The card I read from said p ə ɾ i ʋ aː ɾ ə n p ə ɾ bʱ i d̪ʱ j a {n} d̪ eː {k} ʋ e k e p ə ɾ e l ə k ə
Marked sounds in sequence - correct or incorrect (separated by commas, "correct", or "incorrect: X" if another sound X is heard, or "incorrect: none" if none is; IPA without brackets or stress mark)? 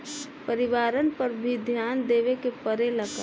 correct, incorrect: none